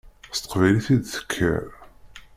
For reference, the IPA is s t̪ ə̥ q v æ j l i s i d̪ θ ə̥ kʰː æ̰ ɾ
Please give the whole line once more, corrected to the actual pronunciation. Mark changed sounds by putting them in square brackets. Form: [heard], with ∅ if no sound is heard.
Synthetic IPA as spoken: s t̪ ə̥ q v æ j l i [θ] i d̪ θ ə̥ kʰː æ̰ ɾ

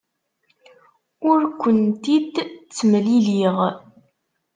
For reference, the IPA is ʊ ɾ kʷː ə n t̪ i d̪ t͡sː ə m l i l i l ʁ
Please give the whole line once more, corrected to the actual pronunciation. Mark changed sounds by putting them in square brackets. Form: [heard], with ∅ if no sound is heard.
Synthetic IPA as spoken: ʊ ɾ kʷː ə n t̪ i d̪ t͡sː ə m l i l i [∅] ʁ

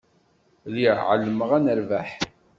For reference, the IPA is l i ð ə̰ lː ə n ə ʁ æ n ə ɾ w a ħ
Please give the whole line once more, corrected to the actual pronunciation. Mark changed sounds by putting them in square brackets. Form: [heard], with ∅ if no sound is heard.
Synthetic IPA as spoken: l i [ʕ] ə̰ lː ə [m] ə ʁ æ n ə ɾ [v] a ħ

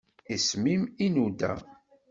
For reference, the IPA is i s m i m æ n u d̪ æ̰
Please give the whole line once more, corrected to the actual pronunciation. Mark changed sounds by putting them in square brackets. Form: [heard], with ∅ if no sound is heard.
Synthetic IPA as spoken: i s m i m [i] n u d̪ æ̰

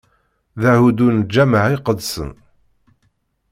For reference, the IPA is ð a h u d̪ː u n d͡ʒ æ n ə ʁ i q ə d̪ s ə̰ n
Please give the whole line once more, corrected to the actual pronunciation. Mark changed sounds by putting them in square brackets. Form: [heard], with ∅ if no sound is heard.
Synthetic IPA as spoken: ð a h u [d̪] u n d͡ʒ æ [m] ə [ʕ] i q ə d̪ s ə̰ n

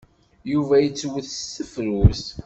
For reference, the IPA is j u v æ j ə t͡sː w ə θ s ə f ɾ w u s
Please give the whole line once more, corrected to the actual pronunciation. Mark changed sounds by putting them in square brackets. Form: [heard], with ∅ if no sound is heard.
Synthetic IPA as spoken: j u v æ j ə t͡sː w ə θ s ə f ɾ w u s

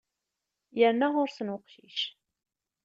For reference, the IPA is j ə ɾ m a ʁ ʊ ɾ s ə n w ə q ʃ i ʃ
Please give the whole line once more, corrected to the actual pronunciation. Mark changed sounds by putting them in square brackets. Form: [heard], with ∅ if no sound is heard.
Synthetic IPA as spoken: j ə ɾ [n] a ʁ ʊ ɾ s ə n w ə q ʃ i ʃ

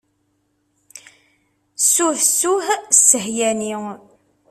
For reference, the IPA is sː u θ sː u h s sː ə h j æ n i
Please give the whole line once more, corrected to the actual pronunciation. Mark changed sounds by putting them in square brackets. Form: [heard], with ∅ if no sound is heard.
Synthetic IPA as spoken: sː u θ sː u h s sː ə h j æ n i

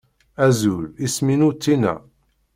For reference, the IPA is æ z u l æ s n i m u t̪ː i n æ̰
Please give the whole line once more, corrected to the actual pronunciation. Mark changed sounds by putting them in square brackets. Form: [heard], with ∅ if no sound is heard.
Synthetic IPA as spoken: æ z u l [i] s [m] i [n] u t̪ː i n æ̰

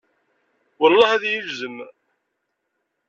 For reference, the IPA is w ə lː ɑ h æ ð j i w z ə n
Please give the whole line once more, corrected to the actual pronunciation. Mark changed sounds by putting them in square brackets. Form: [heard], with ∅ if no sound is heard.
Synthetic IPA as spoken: w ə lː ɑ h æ ð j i [v] z ə [m]

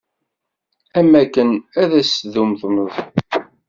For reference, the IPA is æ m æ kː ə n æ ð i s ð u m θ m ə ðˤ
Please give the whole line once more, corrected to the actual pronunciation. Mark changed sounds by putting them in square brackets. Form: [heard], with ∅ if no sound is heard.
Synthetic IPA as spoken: æ m æ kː ə n æ ð [æ] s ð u m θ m ə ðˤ

